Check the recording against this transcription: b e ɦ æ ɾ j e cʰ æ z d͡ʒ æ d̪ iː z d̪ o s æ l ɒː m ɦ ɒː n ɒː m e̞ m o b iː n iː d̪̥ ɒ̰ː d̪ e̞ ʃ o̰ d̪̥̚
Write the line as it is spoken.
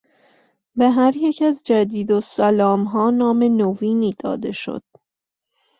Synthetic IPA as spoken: b e ɦ æ ɾ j e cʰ æ z d͡ʒ æ d̪ iː d̪ o s æ l ɒː m ɦ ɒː n ɒː m e̞ n o v iː n iː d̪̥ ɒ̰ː d̪ e̞ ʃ o̰ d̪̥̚